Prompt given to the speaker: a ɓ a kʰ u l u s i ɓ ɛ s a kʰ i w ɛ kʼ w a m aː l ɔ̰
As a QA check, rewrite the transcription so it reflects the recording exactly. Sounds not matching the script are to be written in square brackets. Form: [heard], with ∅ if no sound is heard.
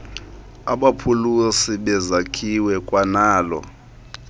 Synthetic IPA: a ɓ a [pʰ] u l u s i ɓ ɛ [z] a kʰ i w ɛ kʼ w a [n] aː l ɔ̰

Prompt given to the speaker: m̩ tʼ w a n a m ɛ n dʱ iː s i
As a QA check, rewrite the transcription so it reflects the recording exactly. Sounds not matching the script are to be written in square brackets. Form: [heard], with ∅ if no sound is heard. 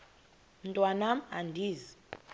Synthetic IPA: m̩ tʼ w a n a m [a] n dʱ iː [z] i

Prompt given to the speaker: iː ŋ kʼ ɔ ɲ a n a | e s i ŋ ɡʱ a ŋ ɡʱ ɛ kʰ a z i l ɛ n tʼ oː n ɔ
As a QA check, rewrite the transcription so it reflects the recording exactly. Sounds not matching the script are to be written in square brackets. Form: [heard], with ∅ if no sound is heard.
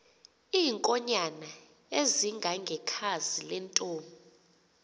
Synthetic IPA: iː ŋ kʼ ɔ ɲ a n a | e [z] i ŋ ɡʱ a ŋ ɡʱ ɛ kʰ a z i l ɛ n tʼ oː [m] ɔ

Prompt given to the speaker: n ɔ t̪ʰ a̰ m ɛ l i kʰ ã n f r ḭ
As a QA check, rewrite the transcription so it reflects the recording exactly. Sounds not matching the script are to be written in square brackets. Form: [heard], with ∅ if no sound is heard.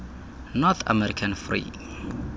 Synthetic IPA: n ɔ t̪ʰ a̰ m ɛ [ɾ] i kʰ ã n f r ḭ

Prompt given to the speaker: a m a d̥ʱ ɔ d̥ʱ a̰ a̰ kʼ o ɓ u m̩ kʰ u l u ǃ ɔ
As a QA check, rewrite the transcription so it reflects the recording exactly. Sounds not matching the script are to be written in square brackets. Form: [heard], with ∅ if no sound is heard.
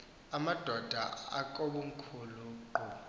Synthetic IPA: a m a d̥ʱ ɔ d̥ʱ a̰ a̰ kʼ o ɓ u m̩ kʰ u l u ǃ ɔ

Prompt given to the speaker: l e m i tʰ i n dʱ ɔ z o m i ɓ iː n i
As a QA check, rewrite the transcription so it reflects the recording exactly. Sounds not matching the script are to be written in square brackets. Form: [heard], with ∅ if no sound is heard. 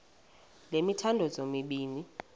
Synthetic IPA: l e m i tʰ [a] n dʱ ɔ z o m i ɓ iː n i

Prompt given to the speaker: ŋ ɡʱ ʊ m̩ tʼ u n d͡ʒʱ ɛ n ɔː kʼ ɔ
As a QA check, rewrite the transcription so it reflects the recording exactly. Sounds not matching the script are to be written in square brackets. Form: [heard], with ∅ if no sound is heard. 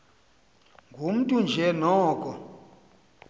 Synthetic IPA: ŋ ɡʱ [u] m̩ tʼ u n d͡ʒʱ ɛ n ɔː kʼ ɔ

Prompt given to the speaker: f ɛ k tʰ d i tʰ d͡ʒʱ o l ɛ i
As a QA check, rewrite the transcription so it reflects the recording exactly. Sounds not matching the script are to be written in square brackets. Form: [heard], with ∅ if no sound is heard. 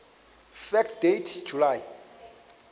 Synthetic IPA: f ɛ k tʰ d [e] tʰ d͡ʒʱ [u] l [a] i

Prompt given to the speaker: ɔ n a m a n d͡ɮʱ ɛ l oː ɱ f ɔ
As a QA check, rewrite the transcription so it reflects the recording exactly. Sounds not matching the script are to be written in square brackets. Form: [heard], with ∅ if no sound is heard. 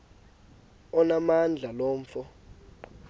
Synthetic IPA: ɔ n a m a n d͡ɮʱ [a] l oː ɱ f ɔ

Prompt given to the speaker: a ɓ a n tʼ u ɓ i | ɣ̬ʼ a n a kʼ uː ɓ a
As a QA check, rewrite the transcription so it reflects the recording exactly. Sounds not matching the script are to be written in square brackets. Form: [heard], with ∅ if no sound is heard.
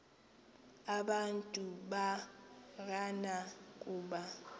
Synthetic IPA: a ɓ a n tʼ u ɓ [a] | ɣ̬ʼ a n a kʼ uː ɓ a

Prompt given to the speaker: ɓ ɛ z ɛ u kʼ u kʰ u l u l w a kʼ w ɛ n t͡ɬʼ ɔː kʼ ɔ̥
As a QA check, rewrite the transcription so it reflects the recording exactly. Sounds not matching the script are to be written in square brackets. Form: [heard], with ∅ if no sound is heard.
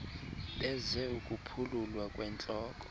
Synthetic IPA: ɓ ɛ z ɛ u kʼ u [pʰ] u l u l w a kʼ w ɛ n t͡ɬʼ ɔː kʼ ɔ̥

